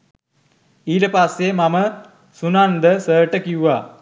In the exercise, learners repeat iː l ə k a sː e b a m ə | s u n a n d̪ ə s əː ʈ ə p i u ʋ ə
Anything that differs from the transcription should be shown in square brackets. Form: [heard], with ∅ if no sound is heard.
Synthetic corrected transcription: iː l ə [p] a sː e [m] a m ə | s u n a n d̪ ə s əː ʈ ə [k] i u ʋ [a]